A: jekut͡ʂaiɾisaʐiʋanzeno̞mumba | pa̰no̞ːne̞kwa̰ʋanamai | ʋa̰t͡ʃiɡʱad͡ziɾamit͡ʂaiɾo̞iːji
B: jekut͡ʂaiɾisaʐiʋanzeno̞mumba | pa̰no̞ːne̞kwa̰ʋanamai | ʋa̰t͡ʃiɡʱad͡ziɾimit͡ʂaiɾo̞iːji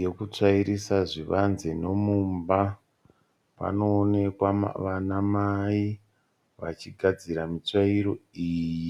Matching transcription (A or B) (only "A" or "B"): A